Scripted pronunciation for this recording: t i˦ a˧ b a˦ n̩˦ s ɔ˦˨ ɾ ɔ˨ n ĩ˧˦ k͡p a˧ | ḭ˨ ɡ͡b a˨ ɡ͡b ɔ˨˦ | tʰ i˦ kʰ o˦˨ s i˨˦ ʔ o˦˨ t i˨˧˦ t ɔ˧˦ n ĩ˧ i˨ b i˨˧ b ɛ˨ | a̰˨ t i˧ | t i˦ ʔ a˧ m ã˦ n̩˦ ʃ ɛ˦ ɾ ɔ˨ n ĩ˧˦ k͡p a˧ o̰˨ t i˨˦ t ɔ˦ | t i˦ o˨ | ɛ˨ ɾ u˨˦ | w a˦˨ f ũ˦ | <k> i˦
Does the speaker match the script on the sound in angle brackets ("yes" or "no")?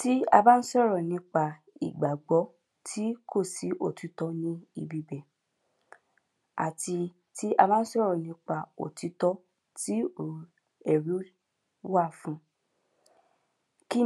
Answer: yes